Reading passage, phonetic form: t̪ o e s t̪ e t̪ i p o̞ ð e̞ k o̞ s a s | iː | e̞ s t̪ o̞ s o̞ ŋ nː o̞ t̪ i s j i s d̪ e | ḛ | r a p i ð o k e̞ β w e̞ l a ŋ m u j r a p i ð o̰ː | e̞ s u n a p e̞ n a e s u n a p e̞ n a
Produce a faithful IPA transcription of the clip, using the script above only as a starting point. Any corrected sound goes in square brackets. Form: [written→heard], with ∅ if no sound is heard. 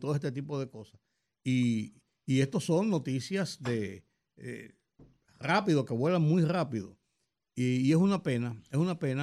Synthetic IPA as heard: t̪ o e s t̪ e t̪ i p o̞ ð e̞ k o̞ s a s | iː | e̞ s t̪ o̞ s o̞ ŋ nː o̞ t̪ i s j [i→a] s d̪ e | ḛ | r a p i ð o k e̞ β w e̞ l a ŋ m u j r a p i ð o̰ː | e̞ s u n a p e̞ n a e s u n a p e̞ n a